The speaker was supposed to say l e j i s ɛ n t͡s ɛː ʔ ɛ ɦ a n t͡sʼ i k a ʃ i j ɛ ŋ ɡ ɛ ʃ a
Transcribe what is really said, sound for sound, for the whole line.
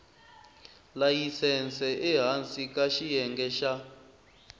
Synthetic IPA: l a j i s ɛ n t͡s ɛ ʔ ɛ ɦ a n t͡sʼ i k a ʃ i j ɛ ŋ ɡ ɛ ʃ a